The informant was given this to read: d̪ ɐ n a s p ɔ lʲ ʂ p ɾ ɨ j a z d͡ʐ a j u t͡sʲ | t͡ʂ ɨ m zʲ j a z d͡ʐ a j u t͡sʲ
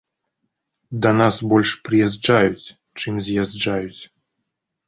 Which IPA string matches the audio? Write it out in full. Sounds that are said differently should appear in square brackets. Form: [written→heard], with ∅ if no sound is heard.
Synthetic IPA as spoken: d̪ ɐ n a s [p→b] ɔ lʲ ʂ p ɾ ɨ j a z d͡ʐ a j u t͡sʲ | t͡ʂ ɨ m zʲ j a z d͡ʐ a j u t͡sʲ